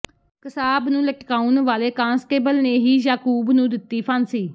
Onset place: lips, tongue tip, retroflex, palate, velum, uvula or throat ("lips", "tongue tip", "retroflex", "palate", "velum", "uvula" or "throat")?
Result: velum